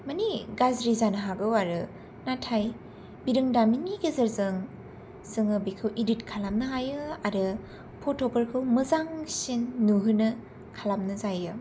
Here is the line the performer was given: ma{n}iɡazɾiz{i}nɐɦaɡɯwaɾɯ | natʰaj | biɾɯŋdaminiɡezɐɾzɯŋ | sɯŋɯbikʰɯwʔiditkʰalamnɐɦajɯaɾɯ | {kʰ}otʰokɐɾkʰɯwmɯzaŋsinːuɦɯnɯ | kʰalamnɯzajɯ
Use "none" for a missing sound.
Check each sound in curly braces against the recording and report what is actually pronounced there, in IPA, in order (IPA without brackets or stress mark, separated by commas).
n, a, pʰ